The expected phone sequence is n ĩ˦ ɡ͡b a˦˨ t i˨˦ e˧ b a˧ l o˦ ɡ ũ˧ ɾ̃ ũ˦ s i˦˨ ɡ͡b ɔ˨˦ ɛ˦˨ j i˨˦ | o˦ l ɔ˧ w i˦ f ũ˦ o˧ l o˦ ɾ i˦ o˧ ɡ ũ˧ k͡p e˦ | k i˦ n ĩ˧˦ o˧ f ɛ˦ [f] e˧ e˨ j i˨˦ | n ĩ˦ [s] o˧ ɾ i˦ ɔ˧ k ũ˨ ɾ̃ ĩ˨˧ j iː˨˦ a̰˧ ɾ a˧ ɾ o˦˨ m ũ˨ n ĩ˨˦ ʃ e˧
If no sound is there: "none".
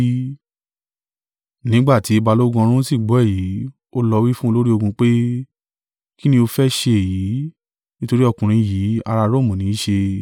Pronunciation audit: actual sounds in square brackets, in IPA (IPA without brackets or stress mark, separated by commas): ʃ, t